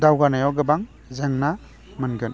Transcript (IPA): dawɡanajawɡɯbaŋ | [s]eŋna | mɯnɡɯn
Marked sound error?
yes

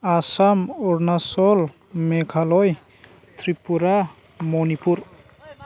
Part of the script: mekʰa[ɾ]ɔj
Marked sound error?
yes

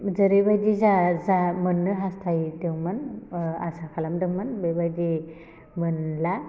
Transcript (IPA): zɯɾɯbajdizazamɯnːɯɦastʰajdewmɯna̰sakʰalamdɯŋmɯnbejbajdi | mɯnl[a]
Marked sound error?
no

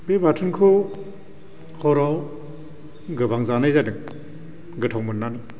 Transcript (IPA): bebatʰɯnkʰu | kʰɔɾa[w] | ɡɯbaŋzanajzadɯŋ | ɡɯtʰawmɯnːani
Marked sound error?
no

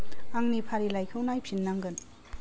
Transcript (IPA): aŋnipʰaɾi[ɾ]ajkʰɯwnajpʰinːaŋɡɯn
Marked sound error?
yes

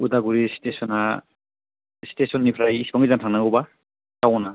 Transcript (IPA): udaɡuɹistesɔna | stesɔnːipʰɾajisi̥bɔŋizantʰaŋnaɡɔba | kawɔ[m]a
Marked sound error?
yes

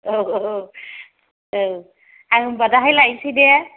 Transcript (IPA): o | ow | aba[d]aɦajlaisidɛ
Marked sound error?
no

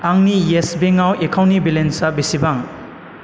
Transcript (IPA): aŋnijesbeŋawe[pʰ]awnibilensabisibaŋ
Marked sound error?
yes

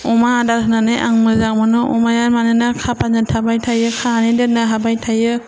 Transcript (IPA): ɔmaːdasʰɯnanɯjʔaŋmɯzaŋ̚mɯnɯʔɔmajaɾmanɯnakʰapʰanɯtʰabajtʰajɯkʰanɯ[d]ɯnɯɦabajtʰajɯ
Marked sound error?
no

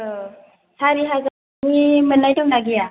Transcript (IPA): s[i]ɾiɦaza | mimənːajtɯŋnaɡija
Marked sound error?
yes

